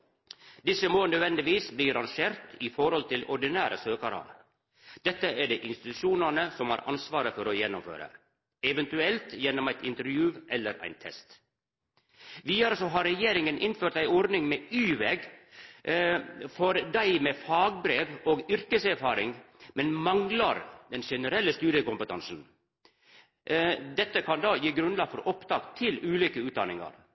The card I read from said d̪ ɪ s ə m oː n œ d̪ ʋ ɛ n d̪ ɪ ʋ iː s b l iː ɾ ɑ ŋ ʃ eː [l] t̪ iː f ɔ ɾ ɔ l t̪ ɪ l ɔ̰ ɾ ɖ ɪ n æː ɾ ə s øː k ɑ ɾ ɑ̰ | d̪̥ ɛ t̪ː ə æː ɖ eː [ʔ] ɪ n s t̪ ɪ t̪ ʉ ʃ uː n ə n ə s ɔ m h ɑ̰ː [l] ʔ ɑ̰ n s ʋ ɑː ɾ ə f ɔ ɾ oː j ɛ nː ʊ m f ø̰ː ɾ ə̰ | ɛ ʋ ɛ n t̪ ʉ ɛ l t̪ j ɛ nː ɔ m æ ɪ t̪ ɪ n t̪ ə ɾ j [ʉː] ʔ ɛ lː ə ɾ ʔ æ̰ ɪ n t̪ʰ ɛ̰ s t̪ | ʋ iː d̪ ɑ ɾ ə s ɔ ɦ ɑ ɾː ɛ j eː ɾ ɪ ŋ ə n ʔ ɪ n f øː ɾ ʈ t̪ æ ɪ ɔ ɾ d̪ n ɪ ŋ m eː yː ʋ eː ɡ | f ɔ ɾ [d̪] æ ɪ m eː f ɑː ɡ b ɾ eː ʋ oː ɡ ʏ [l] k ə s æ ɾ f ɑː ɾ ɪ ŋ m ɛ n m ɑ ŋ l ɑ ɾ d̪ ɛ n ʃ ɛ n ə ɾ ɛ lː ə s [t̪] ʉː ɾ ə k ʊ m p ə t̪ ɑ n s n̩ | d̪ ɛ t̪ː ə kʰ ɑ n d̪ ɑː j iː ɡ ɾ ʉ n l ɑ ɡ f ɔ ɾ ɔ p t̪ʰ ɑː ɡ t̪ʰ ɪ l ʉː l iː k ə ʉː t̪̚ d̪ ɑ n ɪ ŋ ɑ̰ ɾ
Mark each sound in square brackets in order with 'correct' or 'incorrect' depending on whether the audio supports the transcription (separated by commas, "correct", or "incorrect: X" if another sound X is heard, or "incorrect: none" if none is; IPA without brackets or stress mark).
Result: incorrect: ɾ, correct, incorrect: ɾ, correct, correct, incorrect: ɾ, correct